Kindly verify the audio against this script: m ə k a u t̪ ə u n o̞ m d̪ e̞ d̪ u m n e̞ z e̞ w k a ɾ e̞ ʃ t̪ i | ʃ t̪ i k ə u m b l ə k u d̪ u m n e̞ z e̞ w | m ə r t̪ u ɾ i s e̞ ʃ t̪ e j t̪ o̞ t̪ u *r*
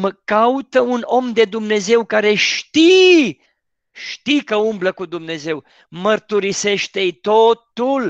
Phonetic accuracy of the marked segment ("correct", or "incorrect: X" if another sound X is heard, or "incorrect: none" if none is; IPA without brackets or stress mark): incorrect: l